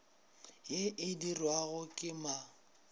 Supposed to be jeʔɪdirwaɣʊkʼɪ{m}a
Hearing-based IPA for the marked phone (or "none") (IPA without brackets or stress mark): m